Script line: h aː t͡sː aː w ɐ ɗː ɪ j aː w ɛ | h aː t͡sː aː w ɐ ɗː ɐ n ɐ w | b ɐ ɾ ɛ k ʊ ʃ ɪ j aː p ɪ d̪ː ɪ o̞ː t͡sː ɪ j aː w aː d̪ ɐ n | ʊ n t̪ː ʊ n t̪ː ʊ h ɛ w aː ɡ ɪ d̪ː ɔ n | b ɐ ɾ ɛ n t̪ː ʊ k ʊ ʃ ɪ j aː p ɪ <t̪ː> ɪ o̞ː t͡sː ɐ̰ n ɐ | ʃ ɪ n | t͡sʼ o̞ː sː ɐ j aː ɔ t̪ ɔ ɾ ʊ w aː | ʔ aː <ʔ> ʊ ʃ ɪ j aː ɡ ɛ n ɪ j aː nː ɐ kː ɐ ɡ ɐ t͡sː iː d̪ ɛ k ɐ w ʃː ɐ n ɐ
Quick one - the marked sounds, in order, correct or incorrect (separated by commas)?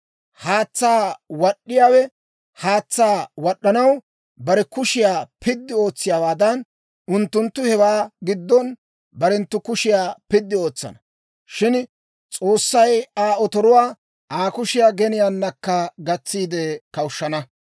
incorrect, incorrect